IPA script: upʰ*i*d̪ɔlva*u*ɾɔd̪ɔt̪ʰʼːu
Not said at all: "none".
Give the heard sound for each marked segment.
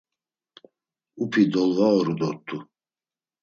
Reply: i, ɔ

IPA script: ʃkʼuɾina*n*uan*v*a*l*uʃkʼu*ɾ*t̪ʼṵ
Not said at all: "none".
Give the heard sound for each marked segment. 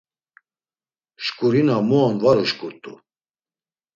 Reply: m, v, ɾ, ɾ

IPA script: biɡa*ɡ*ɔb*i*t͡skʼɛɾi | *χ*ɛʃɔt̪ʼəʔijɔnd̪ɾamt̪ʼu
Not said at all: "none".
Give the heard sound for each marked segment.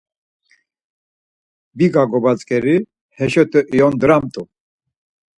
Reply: ɡ, a, h

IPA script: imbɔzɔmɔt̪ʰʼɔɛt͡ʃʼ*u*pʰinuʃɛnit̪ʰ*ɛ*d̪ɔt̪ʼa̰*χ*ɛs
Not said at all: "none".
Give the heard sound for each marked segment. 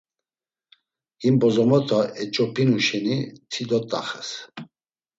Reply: ɔ, i, χ

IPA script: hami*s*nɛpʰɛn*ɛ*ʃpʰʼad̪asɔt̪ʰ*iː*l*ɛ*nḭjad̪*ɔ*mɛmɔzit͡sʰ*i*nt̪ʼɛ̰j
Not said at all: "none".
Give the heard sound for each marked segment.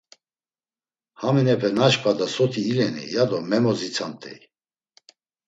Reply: none, a, iː, ɛ, ɔ, a

